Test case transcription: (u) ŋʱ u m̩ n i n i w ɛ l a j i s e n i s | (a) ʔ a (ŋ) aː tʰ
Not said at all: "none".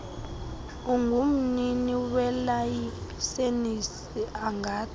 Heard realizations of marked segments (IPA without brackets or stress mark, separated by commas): u, i, ŋ